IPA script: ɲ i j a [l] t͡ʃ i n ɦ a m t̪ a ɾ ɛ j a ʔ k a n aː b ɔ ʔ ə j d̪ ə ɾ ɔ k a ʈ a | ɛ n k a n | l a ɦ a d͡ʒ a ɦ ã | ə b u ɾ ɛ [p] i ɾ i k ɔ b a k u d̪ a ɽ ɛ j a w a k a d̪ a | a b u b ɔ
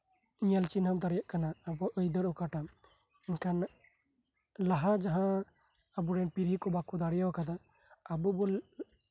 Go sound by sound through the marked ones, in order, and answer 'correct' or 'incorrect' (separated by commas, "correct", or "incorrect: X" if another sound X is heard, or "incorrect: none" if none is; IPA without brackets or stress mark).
correct, correct